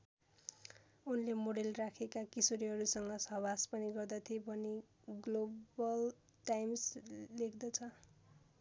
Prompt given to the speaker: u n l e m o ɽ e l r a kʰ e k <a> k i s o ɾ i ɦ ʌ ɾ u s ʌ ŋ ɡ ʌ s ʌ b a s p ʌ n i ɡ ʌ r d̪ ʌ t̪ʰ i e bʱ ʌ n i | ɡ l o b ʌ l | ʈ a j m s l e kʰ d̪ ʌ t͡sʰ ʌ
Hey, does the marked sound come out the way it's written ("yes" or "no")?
yes